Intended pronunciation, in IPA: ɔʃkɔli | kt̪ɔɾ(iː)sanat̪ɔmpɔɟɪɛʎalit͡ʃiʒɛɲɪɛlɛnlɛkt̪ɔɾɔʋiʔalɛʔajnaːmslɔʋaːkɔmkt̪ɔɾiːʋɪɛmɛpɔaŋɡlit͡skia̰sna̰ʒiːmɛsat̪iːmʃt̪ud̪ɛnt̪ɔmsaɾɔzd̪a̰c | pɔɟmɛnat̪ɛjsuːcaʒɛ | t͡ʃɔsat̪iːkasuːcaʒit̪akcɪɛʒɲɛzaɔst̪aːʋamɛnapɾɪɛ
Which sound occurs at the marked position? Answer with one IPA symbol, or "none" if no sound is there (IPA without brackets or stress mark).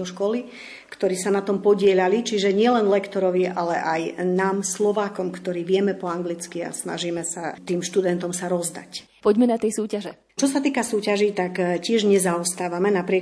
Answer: iː